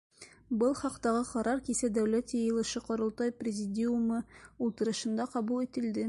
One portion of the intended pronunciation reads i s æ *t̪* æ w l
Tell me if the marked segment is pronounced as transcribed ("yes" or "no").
no